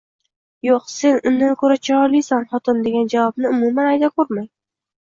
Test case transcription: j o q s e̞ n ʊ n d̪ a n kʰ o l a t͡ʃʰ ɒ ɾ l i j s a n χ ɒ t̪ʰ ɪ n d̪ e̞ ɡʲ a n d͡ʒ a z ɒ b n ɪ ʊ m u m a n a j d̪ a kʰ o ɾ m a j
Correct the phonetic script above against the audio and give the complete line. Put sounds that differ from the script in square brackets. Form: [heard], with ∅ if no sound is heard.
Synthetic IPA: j o q s e̞ n ʊ n d̪ a n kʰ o [ɾ] a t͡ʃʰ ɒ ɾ l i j s a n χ ɒ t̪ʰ ɪ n d̪ e̞ ɡʲ a n d͡ʒ a [v] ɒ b n ɪ ʊ m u m a n a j d̪ a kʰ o ɾ m a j